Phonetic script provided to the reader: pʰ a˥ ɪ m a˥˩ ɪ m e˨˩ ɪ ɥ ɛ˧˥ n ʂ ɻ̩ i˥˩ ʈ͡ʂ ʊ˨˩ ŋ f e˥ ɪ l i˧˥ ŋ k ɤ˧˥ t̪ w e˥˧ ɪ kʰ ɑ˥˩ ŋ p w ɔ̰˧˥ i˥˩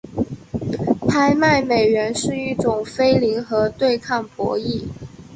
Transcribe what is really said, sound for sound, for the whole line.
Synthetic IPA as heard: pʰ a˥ ɪ m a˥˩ ɪ m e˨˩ ɪ ɥ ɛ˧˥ n ʂ ɻ̩ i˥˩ ʈ͡ʂ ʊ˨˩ ŋ f e˥ ɪ l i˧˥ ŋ x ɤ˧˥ t̪ w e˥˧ ɪ kʰ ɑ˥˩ ŋ p w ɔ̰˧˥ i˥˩